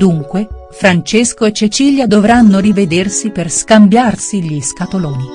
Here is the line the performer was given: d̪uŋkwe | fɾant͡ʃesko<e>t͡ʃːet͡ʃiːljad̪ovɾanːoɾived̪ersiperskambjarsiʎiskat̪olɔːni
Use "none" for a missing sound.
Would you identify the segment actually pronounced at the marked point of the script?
e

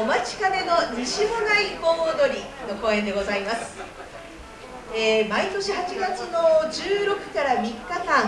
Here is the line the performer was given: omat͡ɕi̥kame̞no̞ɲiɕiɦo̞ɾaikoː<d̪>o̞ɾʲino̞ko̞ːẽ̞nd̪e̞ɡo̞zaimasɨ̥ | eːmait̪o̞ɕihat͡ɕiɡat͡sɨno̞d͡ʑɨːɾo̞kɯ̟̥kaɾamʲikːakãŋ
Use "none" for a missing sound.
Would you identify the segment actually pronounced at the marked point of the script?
d̪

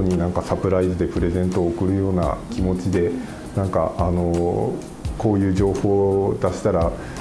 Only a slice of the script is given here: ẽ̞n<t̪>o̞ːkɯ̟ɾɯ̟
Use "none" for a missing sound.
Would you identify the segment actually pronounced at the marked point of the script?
t̪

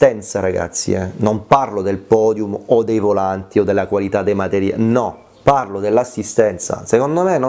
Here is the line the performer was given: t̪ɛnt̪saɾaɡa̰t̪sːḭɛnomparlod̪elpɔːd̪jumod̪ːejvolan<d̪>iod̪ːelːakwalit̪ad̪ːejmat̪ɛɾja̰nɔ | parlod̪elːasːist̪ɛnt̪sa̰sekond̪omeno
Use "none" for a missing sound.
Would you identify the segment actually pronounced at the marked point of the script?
t̪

